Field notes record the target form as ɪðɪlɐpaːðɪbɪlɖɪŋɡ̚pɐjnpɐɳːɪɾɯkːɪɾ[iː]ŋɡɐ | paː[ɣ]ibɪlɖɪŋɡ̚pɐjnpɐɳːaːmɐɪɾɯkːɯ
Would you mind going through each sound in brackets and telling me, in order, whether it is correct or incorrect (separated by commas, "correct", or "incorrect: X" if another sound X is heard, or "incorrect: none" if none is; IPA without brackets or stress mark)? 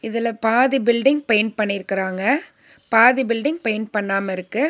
incorrect: aː, incorrect: ð